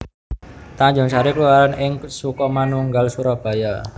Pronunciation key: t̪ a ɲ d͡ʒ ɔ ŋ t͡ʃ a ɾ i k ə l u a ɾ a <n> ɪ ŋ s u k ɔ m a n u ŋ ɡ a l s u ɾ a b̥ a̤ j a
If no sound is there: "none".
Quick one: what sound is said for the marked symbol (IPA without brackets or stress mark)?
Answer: n